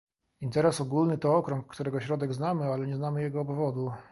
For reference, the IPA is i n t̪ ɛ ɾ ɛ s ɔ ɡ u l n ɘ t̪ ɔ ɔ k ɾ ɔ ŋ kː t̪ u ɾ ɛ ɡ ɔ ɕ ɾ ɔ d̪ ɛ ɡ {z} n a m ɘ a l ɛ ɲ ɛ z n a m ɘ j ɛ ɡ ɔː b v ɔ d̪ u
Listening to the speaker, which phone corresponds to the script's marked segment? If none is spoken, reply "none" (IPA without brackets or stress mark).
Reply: z